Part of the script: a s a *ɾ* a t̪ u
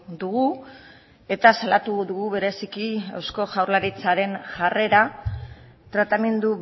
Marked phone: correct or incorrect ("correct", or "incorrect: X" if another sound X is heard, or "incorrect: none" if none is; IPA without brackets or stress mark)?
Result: incorrect: l